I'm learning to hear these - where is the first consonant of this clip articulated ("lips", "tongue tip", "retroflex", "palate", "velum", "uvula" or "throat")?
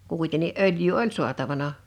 velum